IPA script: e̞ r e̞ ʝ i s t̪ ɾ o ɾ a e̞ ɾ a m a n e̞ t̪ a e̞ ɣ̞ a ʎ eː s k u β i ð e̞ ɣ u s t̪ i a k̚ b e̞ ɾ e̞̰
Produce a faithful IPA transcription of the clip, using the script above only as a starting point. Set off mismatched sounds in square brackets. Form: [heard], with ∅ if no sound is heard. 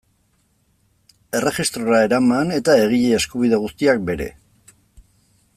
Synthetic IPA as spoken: e̞ r e̞ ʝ i s t̪ ɾ o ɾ a e̞ ɾ a m a n e̞ t̪ a e̞ ɣ̞ [i] ʎ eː s k u β i ð e̞ ɣ u s t̪ i a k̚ b e̞ ɾ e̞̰